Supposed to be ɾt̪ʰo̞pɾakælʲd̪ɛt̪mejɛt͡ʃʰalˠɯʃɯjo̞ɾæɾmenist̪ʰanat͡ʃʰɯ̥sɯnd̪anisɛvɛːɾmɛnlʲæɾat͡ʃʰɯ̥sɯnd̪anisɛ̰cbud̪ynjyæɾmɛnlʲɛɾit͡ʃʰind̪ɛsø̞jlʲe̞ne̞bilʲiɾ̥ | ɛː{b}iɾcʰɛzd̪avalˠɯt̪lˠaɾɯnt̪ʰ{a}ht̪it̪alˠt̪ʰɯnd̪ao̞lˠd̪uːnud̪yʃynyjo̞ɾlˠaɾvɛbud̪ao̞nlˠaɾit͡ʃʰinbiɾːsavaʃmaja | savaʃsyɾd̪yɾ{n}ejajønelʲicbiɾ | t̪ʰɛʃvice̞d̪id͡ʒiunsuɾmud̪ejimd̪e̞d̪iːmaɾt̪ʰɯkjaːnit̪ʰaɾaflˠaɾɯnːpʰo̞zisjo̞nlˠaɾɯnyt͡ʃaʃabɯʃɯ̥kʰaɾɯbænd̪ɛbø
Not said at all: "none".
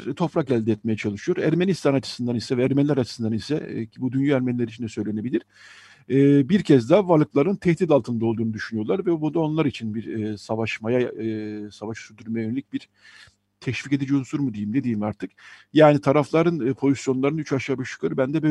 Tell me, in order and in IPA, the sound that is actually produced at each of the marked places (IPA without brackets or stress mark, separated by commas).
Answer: b, ɛ, m